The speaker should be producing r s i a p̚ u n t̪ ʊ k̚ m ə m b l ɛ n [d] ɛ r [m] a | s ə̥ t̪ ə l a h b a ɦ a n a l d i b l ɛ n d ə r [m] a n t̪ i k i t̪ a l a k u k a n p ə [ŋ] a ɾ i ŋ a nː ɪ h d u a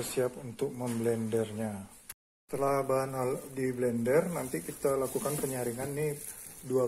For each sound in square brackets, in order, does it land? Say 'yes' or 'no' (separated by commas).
yes, no, no, no